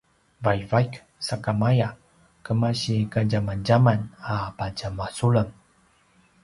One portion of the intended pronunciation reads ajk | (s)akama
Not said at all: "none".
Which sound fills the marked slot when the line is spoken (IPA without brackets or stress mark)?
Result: s